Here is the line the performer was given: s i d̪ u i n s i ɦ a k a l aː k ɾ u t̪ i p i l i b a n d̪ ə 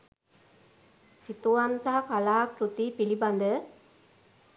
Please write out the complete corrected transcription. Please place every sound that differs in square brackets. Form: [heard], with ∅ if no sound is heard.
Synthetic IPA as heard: s i [t̪] u [a] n s [a] ɦ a k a l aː k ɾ u t̪ i p i l i b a n d̪ ə